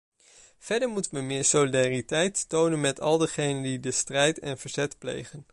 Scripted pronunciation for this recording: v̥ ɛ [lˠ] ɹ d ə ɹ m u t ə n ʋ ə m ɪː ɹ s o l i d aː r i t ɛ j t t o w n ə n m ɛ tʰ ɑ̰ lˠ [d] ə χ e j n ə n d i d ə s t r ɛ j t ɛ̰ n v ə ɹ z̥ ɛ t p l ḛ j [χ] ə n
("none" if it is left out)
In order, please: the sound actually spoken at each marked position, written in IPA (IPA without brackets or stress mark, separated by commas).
none, d, χ